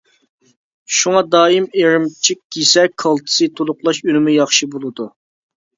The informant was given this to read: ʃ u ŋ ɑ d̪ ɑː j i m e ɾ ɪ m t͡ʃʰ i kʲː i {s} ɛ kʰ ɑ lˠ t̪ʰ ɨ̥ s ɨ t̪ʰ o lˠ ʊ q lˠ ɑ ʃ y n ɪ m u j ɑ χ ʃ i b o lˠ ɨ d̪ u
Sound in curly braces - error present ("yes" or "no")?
no